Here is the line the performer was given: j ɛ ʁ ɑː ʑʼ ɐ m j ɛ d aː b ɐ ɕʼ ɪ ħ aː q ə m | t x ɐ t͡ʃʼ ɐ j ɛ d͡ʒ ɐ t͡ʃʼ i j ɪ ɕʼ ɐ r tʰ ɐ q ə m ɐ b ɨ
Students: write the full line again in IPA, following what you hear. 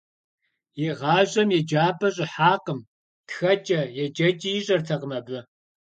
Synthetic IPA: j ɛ ʁ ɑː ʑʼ ɐ m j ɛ d͡ʒ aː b ɐ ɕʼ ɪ ħ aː q ə m | t x ɐ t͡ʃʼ ɐ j ɛ d͡ʒ ɐ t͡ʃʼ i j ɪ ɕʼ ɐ r tʰ ɐ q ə m ɐ b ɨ